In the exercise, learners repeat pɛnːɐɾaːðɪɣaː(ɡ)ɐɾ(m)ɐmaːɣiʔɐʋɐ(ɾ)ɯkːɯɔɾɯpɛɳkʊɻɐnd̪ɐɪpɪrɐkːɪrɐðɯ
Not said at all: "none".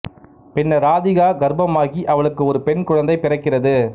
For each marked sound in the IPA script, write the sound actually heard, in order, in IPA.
ɡ, b, ɭ

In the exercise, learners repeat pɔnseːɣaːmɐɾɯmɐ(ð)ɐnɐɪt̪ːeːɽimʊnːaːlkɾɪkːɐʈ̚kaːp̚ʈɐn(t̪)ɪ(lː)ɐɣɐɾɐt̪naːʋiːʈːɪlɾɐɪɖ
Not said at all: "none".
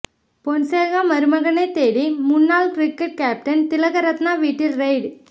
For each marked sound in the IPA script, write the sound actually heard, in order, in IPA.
ɣ, t̪, l

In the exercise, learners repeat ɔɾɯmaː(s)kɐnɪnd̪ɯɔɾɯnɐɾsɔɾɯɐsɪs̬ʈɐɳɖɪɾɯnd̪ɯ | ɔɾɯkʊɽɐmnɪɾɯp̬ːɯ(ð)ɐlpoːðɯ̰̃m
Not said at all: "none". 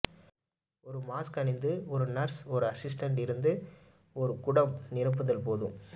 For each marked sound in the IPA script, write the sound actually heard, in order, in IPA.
s, ð

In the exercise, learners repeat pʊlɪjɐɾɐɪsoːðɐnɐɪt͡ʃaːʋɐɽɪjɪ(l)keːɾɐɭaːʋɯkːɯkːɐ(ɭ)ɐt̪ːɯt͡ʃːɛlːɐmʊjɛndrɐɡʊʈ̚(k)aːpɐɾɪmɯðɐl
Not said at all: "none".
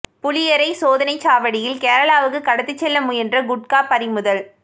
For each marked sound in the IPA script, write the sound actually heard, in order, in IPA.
l, ɽ, k

